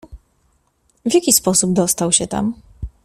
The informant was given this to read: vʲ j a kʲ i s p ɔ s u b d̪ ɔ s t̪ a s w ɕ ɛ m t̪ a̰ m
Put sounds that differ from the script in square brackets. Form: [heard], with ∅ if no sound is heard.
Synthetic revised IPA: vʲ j a kʲ i s p ɔ s u b d̪ ɔ s t̪ a [∅] w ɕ ɛ [∅] t̪ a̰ m